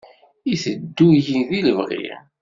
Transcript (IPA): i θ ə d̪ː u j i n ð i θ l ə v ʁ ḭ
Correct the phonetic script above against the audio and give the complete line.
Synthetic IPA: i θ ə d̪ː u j i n ð i l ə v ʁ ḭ